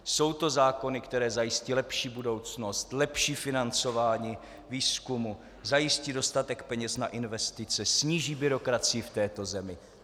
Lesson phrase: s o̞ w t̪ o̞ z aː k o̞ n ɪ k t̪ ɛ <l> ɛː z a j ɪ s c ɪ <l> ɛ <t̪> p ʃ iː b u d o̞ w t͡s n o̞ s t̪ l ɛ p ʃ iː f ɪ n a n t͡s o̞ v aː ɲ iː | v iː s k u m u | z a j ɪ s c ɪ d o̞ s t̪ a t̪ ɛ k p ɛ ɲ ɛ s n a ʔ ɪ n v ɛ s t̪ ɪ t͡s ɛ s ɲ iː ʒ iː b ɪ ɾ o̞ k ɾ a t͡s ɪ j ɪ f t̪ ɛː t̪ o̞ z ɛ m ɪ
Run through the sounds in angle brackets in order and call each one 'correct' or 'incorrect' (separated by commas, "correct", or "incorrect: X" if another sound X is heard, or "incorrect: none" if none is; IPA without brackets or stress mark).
incorrect: ɾ, correct, incorrect: none